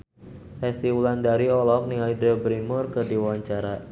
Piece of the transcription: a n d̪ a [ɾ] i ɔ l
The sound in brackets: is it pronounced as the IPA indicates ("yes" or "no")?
yes